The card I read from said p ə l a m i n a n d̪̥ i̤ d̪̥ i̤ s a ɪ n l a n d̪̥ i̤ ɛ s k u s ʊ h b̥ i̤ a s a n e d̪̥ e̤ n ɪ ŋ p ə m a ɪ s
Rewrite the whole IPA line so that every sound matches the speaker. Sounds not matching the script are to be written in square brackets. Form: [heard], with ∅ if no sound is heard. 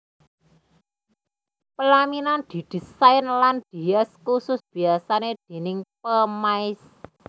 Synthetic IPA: p ə l a m i n a n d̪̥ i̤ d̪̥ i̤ s a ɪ n l a n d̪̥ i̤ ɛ s k u s ʊ [s] b̥ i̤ a s a n e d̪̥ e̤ n ɪ ŋ p ə m a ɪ s

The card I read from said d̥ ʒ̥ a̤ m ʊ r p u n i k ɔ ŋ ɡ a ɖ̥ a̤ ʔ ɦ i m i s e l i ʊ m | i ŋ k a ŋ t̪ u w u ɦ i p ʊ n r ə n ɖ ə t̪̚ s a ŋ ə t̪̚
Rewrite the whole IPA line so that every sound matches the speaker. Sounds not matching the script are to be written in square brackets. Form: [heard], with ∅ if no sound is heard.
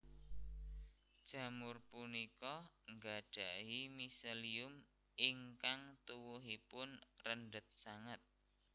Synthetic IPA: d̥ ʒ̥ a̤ m ʊ r p u n i k ɔ ŋ ɡ a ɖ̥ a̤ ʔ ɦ i m i s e l i ʊ m | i ŋ k a ŋ t̪ u w u ɦ i p ʊ n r ə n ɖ ə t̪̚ s a ŋ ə t̪̚

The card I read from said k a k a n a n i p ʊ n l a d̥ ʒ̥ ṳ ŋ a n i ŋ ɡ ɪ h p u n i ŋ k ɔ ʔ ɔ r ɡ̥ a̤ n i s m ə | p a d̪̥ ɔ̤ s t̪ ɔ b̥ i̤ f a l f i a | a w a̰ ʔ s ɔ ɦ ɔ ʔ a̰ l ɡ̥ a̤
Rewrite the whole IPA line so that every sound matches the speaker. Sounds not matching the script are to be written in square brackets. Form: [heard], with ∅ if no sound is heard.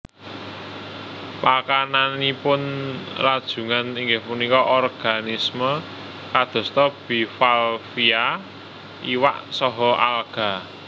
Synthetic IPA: [p] a k a n a n i p ʊ n [r] a d̥ ʒ̥ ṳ ŋ a n i ŋ ɡ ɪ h p u n i [∅] k ɔ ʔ ɔ r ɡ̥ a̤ n i s m ə | [k] a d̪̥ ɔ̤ s t̪ ɔ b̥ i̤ f a l f i a | [i] w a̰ ʔ s ɔ ɦ ɔ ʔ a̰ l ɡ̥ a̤

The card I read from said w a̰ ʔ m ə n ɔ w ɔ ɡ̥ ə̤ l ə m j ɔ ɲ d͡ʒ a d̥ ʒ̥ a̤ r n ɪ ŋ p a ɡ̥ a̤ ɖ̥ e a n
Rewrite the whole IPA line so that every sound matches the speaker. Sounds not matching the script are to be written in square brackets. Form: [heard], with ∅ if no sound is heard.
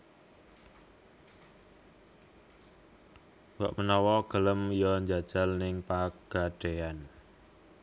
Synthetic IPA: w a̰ ʔ m ə n ɔ w ɔ ɡ̥ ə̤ l ə m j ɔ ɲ d͡ʒ a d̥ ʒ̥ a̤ [l] n ɪ ŋ p a ɡ̥ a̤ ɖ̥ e a n

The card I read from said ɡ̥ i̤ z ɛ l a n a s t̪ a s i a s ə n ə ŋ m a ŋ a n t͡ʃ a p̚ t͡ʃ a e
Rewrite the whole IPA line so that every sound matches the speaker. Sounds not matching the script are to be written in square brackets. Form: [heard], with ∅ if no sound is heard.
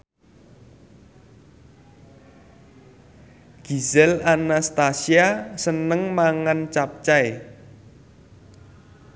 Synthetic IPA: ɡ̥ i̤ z ɛ l a n a s t̪ a s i a s ə n ə ŋ m a ŋ a n t͡ʃ a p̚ t͡ʃ a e

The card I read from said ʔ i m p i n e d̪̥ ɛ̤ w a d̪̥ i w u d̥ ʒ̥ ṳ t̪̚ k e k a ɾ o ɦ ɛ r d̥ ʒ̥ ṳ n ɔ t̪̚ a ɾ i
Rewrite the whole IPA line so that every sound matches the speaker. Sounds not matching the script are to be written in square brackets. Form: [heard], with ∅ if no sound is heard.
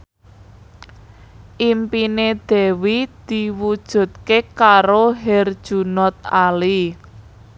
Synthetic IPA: ʔ i m p i n e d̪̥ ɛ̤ w [i] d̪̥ i w u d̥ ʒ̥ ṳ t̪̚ k e k a ɾ o ɦ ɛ r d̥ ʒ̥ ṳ n ɔ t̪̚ a [l] i

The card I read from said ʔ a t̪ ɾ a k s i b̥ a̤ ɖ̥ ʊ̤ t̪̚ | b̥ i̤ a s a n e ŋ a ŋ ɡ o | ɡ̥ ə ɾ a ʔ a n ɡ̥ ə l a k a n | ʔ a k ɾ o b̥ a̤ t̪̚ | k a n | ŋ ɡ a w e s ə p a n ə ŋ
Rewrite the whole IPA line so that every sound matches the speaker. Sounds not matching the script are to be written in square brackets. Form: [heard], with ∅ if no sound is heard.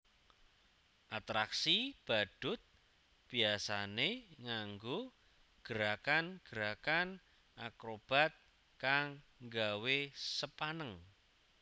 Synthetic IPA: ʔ a t̪ ɾ a k s i b̥ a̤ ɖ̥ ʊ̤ t̪̚ | b̥ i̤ a s a n e ŋ a ŋ ɡ o | ɡ̥ ə ɾ a [k] a n ɡ̥ ə [ɾ] a k a n | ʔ a k ɾ o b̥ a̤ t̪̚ | k a [ŋ] | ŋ ɡ a w e s ə p a n ə ŋ

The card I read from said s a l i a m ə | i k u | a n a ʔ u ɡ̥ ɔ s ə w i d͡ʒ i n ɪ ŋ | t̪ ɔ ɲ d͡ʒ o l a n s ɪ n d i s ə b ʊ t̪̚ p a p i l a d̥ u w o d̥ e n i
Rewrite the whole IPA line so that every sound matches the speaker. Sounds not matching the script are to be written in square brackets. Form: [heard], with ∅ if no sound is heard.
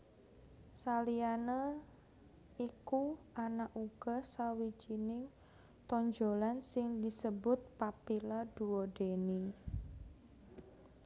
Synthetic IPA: s a l i a [n] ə | i k u | a n a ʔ u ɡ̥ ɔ s [a] w i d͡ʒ i n ɪ ŋ | t̪ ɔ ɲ d͡ʒ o l a n s ɪ [ŋ] d i s ə b ʊ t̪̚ p a p i l a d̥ u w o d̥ e n i

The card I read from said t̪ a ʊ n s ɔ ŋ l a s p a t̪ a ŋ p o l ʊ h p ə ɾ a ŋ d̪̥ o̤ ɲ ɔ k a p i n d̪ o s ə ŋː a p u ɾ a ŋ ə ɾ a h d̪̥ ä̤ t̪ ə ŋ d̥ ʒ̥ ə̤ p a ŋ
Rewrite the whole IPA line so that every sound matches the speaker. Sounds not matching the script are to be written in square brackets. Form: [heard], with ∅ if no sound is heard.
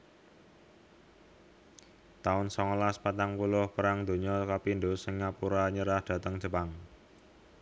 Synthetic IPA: t̪ a ʊ n s ɔ ŋ l a s p a t̪ a ŋ p [u] l ʊ h p ə ɾ a ŋ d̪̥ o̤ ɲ ɔ k a p i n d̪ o s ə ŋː a p u ɾ a [ɲ] ə ɾ a h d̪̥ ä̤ t̪ ə ŋ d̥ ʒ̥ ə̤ p a ŋ

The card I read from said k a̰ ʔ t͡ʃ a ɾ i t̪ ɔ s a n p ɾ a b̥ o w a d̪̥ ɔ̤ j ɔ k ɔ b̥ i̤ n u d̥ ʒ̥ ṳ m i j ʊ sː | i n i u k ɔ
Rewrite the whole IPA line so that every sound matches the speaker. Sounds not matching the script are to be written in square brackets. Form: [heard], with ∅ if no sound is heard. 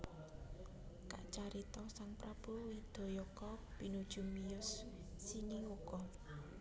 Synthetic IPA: k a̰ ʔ t͡ʃ a ɾ i t̪ ɔ s a [ŋ] p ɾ a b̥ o w [i] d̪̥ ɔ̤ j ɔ k ɔ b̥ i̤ n u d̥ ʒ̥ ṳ m i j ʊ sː | i n i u k ɔ

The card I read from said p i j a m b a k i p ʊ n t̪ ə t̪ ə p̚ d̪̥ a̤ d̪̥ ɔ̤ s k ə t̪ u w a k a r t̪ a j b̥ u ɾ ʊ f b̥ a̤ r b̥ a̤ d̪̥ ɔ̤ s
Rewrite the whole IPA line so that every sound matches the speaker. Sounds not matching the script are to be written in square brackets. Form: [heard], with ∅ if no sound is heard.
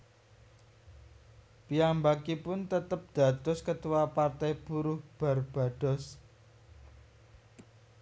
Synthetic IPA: p i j a m b a k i p ʊ n t̪ ə t̪ ə p̚ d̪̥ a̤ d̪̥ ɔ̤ s k ə t̪ u w a [p] a r t̪ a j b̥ u ɾ ʊ [h] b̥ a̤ r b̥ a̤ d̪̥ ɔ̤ s

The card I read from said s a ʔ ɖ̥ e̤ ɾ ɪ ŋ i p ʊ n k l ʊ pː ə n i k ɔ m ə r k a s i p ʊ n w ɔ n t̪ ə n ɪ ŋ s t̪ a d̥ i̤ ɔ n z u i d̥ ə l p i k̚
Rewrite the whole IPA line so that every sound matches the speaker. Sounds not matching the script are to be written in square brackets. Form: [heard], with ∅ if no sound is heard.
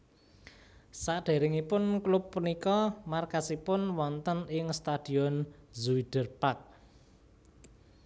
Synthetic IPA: s a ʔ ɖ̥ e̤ ɾ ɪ ŋ i p ʊ n k l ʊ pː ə n i k ɔ m [a] r k a s i p ʊ n w ɔ n t̪ ə n ɪ ŋ s t̪ a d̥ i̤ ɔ n z u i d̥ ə [r] p [a] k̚

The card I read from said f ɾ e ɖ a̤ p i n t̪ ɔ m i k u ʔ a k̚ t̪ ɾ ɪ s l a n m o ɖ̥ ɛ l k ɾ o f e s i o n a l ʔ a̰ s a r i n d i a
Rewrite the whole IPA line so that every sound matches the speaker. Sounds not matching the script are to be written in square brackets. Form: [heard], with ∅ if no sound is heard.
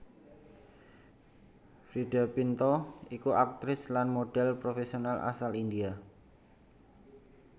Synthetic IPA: f ɾ [i] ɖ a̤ p i n t̪ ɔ [∅] i k u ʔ a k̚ t̪ ɾ ɪ s l a n m o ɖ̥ ɛ l [p] ɾ o f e s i o n a l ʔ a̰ s a [l] i n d i a

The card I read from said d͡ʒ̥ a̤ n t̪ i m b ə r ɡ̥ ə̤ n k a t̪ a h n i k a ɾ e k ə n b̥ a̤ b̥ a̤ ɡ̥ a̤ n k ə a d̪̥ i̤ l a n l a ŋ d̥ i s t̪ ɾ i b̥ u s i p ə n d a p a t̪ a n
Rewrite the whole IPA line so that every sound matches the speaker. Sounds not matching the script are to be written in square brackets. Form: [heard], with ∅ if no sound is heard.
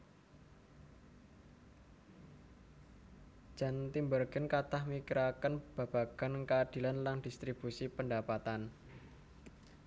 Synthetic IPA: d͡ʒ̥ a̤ n t̪ i m b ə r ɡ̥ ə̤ n k a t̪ a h [m] i k [i] ɾ [a] k ə n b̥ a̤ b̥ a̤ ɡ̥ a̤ n k ə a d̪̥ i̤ l a n l a ŋ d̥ i s t̪ ɾ i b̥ u s i p ə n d a p a t̪ a n

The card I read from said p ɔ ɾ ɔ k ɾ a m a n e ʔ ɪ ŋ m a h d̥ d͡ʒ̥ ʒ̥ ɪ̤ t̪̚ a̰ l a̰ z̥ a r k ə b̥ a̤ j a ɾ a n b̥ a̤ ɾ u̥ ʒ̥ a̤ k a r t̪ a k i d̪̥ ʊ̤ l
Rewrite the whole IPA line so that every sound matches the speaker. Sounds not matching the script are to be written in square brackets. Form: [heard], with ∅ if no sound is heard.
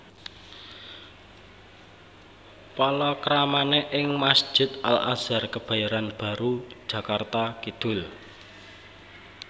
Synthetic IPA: p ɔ [l] ɔ k ɾ a m a n e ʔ ɪ ŋ m a [s] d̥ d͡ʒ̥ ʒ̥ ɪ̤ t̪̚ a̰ l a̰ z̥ a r k ə b̥ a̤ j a ɾ a n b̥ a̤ ɾ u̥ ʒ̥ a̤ k a r t̪ a k i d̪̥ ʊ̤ l

